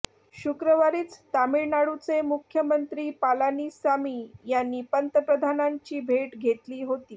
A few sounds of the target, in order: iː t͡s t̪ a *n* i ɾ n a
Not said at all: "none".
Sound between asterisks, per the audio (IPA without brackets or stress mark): m